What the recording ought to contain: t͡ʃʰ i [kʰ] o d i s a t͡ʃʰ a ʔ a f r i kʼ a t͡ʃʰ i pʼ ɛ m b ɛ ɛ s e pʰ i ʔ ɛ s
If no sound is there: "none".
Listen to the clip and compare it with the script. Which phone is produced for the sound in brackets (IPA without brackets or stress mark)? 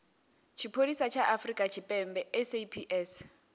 pʰ